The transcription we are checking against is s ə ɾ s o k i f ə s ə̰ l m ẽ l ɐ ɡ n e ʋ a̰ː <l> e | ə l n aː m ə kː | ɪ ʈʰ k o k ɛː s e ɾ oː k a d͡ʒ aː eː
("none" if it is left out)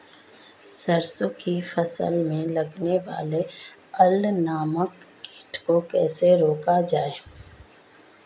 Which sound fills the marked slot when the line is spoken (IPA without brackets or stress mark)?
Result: l